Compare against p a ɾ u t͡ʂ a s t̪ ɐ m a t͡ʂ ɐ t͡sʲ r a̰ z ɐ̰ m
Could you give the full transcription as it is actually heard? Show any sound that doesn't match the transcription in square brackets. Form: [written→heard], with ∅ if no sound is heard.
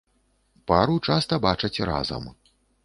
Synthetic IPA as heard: p a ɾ u t͡ʂ a s t̪ ɐ [m→b] a t͡ʂ ɐ t͡sʲ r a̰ z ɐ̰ m